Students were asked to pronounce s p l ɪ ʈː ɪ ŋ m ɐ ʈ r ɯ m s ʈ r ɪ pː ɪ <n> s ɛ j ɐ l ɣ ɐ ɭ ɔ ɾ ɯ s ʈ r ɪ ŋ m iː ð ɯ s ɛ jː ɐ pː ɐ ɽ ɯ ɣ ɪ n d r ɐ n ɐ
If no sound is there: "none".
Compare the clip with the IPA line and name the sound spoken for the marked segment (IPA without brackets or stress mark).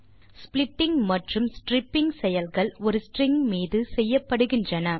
ŋ